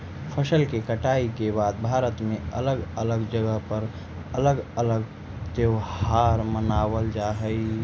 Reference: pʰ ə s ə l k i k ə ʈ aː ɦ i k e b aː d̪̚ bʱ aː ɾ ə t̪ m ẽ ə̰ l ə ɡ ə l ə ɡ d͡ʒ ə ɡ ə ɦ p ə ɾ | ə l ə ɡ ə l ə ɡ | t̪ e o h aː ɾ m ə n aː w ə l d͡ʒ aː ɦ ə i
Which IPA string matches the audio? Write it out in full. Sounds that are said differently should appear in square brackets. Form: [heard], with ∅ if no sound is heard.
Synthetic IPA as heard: pʰ ə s ə l k [e] k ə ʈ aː [∅] i k e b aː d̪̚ bʱ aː ɾ ə t̪ m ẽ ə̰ l ə ɡ ə l ə ɡ d͡ʒ ə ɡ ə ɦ p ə ɾ | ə l ə ɡ ə l ə ɡ | t̪ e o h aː ɾ m ə n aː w ə l d͡ʒ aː ɦ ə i